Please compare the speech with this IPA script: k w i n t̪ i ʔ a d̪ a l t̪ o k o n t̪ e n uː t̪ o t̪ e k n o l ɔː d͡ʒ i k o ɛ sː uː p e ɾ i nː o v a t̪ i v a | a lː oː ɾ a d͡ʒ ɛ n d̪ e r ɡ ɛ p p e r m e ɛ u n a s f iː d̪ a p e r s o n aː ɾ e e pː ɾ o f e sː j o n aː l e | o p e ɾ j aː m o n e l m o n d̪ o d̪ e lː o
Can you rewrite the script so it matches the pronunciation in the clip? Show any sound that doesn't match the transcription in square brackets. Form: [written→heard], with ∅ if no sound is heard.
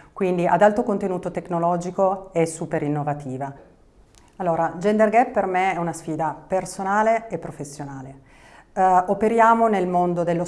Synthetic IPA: k w i n [t̪→d̪] i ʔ a d̪ a l t̪ o k o n t̪ e n uː t̪ o t̪ e k n o l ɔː d͡ʒ i k o ɛ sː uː p e ɾ i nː o v a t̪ [i→iː] v a | a lː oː ɾ a d͡ʒ ɛ n d̪ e r ɡ ɛ p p e r m e ɛ u n a s f iː d̪ a p e r s o n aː [ɾ→l] e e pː ɾ o f e sː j o n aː l e | o p e ɾ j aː m o n e l m o n d̪ o d̪ e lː o